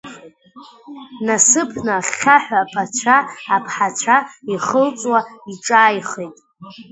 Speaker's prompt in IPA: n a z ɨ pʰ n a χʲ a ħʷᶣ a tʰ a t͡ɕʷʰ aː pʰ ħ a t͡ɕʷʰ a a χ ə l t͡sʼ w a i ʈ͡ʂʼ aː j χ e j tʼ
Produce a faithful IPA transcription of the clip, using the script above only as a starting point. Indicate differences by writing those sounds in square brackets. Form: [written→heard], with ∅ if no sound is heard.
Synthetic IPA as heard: n a [z→s] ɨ pʰ n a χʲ a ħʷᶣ a [tʰ→pʰ] a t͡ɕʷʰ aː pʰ ħ a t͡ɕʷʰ a [a→i] χ ə l t͡sʼ w a i ʈ͡ʂʼ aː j χ e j tʼ